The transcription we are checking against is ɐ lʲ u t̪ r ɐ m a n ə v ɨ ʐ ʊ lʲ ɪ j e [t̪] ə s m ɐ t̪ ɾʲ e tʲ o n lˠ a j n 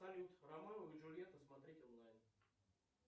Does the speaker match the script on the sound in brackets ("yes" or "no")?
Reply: yes